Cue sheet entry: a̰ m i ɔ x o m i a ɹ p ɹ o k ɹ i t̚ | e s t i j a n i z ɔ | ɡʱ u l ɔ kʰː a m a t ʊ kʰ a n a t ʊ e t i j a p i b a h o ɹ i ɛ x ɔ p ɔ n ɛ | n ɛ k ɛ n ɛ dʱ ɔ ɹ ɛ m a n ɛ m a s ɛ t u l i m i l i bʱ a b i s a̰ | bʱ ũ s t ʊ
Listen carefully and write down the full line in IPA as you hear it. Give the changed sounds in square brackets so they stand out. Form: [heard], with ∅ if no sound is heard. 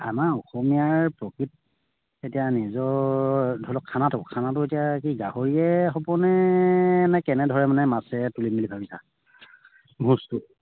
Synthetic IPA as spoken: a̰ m [a] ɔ x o m i a ɹ p ɹ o k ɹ i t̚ | e [∅] t i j a n i z ɔ | [dʱ] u l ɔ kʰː a [n] a t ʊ kʰ a n a t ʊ e t i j a [k] i [ɡ] a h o ɹ i ɛ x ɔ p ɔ n ɛ | n ɛ k ɛ n ɛ dʱ ɔ ɹ ɛ m a n ɛ m a s ɛ t u l i m i l i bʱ a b i s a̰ | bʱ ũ s t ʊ